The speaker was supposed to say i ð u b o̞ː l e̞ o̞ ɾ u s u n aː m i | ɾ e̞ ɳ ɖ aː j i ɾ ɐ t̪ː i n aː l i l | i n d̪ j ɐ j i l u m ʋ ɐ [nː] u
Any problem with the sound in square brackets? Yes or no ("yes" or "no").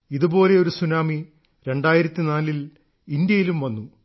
no